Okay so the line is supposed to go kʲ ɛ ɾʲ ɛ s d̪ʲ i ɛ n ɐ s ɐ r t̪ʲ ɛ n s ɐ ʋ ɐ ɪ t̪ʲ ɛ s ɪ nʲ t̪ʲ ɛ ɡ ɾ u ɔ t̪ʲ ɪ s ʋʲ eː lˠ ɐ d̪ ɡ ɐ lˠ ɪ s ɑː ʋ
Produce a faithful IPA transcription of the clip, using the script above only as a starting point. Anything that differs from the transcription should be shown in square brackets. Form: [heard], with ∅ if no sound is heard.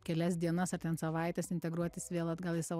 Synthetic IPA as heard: kʲ ɛ [lʲ] ɛ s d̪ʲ i ɛ n ɐ s ɐ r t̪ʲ ɛ n s ɐ ʋ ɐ ɪ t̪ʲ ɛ s ɪ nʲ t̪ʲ ɛ ɡ ɾ u ɔ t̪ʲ ɪ s ʋʲ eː lˠ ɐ d̪ ɡ ɐ lˠ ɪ s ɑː ʋ